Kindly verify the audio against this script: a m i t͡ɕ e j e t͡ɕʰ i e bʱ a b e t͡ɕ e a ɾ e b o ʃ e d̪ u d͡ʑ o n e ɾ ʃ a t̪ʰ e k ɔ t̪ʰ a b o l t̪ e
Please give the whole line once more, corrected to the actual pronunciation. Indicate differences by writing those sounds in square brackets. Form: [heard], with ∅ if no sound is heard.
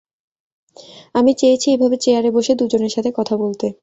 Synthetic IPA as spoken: a m i t͡ɕ e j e t͡ɕʰ i e bʱ a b e t͡ɕ e a ɾ e b o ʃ e d̪ u d͡ʑ o n e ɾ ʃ a t̪ʰ e k ɔ t̪ʰ a b o l t̪ e